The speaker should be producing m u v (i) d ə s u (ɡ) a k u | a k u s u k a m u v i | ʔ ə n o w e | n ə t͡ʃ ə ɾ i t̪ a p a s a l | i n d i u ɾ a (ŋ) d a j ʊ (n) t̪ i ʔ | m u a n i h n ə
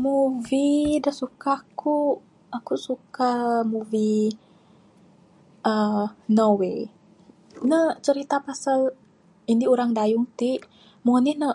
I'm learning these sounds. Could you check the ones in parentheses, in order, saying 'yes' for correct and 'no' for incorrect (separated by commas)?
yes, no, yes, no